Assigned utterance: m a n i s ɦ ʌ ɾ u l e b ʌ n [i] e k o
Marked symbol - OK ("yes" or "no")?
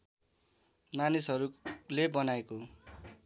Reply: no